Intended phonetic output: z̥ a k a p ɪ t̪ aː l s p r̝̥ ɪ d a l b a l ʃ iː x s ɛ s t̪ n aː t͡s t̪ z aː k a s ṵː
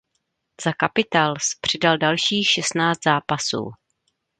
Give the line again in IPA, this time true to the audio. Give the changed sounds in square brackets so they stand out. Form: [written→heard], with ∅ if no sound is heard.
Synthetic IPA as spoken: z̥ a k a p ɪ t̪ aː l s p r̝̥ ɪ d a l [b→d] a l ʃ iː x [s→ʃ] ɛ s t̪ n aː t͡s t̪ z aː [k→p] a s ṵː